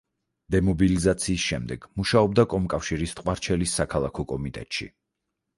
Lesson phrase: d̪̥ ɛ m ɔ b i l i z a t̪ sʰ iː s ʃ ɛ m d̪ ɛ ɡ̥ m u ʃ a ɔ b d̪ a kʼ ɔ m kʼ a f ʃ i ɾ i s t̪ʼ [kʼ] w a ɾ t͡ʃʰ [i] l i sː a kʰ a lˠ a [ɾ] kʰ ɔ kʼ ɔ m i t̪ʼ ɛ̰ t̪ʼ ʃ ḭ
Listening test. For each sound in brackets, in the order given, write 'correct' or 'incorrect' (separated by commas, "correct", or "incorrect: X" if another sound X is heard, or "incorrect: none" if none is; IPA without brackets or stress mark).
incorrect: qʼ, incorrect: ɛ, incorrect: none